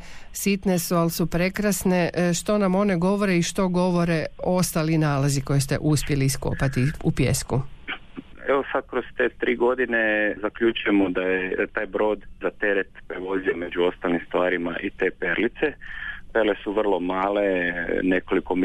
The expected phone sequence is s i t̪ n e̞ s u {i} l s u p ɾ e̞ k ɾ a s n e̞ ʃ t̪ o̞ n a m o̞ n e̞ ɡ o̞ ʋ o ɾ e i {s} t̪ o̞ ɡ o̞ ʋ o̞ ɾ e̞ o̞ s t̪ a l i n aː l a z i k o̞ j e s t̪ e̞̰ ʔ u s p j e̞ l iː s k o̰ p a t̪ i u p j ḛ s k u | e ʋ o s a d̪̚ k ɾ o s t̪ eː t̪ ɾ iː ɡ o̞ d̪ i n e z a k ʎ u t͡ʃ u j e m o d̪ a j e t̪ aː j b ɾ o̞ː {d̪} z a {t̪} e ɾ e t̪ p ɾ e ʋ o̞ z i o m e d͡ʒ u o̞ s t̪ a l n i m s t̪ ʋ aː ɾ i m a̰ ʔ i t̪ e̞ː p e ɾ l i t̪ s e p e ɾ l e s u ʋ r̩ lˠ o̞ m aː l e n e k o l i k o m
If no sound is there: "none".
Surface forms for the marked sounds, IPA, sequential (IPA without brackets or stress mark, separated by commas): a, ʃ, d̪, t̪